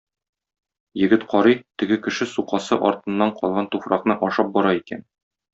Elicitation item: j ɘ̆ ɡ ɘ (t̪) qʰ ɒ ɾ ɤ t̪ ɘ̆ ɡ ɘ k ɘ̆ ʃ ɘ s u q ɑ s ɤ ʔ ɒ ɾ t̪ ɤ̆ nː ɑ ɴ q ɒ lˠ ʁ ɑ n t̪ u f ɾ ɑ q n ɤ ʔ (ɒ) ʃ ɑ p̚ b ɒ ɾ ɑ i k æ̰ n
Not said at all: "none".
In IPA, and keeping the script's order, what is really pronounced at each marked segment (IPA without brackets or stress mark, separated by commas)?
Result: t̪, ɒ